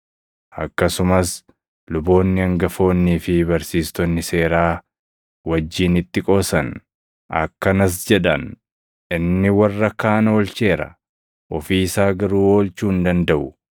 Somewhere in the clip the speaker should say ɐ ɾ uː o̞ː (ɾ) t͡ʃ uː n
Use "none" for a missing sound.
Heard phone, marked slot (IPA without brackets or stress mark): l